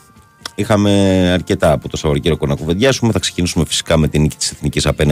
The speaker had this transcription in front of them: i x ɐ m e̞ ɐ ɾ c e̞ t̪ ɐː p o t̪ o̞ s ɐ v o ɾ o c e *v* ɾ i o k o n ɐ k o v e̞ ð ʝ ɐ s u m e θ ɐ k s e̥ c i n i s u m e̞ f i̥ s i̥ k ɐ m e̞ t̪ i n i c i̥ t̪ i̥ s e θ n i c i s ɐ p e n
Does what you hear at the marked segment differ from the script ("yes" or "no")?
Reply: yes